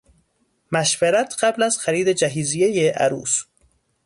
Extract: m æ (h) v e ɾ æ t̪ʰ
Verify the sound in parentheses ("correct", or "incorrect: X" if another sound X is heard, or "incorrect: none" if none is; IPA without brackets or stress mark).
incorrect: ʃ